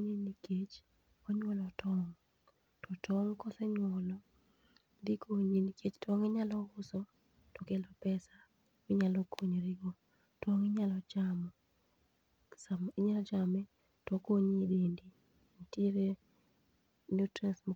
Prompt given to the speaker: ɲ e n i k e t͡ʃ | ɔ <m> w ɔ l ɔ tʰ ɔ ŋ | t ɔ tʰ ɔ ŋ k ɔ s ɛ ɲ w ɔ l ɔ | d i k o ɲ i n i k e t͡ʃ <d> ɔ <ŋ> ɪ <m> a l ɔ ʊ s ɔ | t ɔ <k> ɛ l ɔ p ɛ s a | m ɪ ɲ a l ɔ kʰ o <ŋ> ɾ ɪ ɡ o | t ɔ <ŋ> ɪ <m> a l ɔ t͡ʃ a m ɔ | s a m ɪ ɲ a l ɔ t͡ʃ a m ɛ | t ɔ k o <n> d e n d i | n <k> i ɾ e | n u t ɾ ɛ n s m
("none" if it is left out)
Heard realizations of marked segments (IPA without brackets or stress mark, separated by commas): ɲ, t, ŋ, ɲ, k, ɲ, ŋ, ɲ, ɲ, t